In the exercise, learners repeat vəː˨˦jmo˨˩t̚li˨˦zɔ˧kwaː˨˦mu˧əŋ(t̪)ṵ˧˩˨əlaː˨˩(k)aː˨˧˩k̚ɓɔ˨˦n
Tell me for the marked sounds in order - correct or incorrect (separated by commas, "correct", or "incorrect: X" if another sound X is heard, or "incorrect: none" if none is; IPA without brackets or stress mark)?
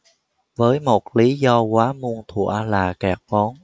incorrect: t̪ʰ, correct